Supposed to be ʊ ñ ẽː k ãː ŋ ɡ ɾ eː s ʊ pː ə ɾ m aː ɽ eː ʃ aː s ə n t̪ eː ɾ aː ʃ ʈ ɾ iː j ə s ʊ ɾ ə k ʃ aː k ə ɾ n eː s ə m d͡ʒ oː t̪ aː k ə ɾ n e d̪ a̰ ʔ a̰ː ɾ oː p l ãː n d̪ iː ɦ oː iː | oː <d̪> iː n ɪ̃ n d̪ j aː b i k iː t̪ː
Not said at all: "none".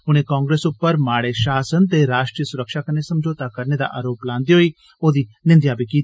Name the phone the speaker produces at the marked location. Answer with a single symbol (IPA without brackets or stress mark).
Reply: d̪